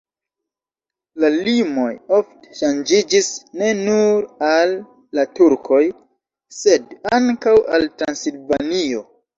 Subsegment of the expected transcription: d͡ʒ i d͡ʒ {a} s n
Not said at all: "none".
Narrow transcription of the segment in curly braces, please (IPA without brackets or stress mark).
i